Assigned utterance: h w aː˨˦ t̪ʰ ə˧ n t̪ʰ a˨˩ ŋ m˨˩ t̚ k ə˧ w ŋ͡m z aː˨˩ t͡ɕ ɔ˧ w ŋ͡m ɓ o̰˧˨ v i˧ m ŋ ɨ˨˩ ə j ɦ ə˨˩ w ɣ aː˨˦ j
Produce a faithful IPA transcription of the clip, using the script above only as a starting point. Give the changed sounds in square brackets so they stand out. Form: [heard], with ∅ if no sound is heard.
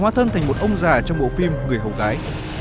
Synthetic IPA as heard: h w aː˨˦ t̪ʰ ə˧ n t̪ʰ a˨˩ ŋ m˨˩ t̚ [ʔ] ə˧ w ŋ͡m z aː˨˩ t͡ɕ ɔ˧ w ŋ͡m ɓ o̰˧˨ [f] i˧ m ŋ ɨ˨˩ ə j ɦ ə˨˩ w ɣ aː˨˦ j